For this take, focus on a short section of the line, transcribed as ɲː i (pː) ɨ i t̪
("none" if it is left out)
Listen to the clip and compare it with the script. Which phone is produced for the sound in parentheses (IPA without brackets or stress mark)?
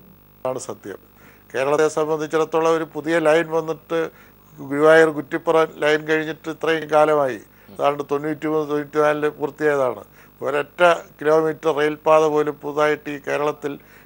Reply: ʈː